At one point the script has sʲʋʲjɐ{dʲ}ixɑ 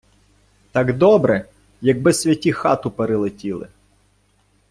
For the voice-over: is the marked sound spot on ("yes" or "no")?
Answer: no